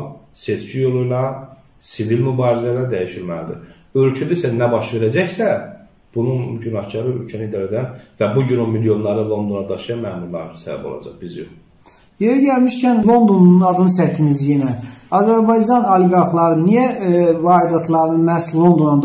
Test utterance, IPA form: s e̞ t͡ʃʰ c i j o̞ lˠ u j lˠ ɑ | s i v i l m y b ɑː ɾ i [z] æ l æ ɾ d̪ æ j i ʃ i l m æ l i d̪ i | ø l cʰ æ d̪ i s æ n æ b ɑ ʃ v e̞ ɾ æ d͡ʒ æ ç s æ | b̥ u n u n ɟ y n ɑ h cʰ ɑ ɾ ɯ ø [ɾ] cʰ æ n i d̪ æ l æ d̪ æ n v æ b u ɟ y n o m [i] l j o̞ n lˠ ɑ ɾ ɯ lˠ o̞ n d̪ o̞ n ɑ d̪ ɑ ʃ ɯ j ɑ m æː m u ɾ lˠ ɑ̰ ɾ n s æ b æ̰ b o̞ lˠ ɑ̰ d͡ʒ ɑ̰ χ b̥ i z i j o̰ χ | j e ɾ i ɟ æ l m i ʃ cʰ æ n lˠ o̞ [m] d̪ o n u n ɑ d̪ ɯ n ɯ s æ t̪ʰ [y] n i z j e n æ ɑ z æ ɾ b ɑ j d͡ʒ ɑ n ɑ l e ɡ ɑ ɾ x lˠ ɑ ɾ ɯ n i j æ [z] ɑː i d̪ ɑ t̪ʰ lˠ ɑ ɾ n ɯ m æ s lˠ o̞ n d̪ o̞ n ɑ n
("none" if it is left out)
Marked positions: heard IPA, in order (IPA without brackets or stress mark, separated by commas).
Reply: z, l, i, n, i, v